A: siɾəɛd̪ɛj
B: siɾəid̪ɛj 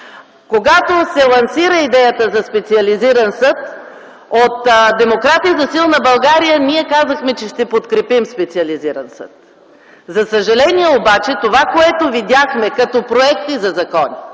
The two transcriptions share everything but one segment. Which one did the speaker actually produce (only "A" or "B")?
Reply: B